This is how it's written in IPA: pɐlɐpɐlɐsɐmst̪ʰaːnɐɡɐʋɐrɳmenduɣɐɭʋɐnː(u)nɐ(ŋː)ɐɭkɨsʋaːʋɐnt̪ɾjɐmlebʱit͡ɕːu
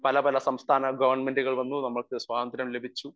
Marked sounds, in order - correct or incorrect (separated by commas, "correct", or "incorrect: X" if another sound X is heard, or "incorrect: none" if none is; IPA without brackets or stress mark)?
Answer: correct, incorrect: mː